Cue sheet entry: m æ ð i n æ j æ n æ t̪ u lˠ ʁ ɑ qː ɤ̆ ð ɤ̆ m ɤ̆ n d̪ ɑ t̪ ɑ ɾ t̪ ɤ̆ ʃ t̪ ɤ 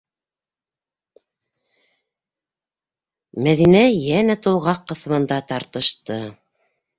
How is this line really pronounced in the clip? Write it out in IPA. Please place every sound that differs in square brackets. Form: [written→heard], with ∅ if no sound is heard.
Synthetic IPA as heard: m æ ð i n æ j æ n æ t̪ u lˠ ʁ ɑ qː ɤ̆ [ð→θ] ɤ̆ m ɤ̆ n d̪ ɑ t̪ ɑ ɾ t̪ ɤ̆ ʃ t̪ ɤ